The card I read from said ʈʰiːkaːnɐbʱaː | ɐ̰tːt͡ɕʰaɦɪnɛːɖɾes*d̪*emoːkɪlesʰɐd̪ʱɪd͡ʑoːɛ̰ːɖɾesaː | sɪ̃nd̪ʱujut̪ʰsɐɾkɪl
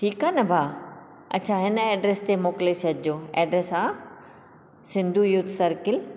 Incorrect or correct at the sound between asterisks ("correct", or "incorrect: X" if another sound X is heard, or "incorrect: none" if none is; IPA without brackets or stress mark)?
incorrect: t̪